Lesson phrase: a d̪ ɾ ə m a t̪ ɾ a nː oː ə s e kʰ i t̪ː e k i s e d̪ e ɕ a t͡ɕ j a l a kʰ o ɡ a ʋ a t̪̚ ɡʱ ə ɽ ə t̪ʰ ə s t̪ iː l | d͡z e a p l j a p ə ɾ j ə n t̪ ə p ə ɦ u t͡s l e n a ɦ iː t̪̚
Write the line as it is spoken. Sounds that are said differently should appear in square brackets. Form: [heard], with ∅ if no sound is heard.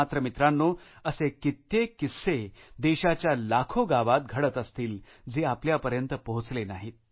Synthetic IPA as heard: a [t̪] ɾ ə m [i] t̪ ɾ a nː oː ə s e [k] i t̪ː e k i s e d̪ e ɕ a t͡ɕ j a l a kʰ o ɡ a ʋ a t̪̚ ɡʱ ə ɽ ə [t̪] ə s t̪ iː l | d͡z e a p l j a p ə ɾ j ə n t̪ ə p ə ɦ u t͡s l e n a ɦ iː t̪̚